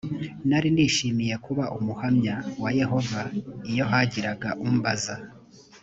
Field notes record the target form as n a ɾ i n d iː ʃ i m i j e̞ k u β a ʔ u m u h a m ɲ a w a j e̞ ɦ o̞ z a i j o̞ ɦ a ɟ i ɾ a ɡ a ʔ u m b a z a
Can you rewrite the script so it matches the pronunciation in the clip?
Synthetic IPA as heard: n a ɾ i n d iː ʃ i m i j e̞ k u β a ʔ u m u h a m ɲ a w a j e̞ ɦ o̞ v a i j o̞ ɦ a ɟ i ɾ a ɡ a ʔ u m b a z a